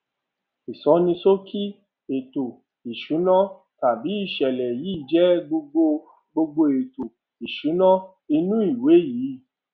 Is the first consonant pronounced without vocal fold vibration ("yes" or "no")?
yes